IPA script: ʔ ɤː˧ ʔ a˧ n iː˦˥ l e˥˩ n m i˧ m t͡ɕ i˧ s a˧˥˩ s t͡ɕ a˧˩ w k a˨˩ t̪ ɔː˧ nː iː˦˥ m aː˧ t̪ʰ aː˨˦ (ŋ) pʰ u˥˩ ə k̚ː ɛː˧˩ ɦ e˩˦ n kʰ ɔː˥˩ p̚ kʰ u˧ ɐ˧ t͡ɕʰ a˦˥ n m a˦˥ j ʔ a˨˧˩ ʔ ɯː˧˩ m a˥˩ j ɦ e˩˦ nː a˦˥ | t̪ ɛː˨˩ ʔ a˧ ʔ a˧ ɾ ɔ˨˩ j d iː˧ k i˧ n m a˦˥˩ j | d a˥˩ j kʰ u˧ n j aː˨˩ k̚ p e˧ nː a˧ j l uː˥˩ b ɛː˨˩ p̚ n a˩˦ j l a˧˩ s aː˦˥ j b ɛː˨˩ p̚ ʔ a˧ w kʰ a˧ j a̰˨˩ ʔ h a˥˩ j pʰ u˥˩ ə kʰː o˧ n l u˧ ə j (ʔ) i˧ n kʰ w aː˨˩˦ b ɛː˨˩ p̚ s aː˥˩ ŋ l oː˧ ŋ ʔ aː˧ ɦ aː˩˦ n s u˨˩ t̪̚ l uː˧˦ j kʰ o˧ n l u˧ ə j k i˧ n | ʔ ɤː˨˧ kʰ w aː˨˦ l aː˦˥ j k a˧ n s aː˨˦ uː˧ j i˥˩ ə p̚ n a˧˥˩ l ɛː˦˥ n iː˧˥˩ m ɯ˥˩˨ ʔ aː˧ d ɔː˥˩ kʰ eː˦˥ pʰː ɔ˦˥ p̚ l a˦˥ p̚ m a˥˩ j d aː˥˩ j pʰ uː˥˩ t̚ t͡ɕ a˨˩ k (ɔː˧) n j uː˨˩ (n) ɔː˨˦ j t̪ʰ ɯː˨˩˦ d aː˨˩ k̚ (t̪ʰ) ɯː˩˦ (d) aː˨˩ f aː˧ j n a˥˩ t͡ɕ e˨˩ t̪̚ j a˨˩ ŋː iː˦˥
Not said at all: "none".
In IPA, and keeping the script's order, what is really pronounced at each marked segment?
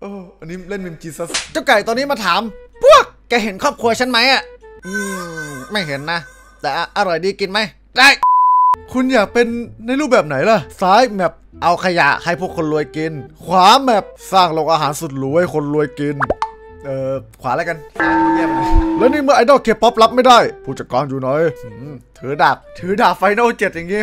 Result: m, k, ɔː˧, n, t̪ʰ, d

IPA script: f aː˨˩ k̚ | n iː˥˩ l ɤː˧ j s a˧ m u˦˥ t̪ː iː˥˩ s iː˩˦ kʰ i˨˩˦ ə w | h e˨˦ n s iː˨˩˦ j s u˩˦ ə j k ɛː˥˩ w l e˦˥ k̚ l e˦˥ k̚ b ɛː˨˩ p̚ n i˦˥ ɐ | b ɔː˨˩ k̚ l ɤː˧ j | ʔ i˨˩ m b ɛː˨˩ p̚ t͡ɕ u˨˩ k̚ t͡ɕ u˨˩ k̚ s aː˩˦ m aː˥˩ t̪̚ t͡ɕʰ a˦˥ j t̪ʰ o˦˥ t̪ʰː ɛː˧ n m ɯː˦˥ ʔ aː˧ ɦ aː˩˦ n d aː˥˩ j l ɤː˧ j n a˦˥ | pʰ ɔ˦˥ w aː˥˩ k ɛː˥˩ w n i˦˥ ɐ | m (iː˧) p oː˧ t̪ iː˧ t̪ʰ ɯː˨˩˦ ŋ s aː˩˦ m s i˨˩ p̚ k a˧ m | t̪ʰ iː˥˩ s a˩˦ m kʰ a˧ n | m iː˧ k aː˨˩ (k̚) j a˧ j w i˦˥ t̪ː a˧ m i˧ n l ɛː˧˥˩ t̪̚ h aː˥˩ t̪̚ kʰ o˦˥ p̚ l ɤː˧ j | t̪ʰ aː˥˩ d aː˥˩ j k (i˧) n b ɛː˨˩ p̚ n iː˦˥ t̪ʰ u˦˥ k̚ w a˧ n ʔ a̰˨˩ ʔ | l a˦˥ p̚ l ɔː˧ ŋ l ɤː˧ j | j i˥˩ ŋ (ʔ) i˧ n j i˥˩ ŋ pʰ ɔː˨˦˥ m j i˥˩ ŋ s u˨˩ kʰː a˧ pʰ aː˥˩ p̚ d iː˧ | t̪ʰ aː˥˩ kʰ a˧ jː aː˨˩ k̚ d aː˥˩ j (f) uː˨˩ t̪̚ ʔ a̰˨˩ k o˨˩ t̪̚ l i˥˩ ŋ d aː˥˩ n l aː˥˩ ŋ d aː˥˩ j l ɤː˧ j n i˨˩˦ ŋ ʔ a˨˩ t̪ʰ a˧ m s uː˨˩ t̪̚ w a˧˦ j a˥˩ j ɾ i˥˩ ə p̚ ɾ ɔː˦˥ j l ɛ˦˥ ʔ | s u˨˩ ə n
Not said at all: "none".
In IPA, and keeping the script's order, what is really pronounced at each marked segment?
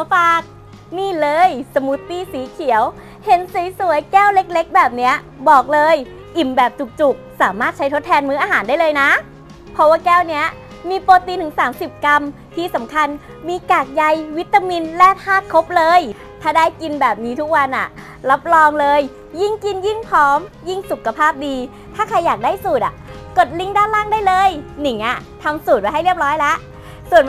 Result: iː˧, k̚, i˧, k, s

